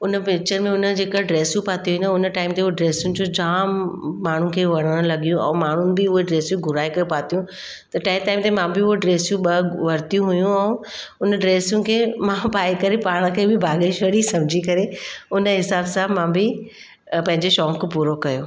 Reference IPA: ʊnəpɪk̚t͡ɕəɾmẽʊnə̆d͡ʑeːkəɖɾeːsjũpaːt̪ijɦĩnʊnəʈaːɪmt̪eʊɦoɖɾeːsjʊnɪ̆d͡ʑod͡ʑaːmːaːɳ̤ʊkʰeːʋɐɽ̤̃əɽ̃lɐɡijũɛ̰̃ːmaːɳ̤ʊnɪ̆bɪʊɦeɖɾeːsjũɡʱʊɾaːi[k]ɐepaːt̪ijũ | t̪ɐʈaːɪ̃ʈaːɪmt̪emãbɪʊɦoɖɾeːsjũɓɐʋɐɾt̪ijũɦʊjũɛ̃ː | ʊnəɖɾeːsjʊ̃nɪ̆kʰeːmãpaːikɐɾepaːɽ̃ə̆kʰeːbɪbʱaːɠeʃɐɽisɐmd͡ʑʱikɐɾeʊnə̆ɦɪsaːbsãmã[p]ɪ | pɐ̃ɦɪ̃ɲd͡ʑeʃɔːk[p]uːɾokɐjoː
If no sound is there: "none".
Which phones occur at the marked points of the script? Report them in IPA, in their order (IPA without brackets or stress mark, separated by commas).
k, b, p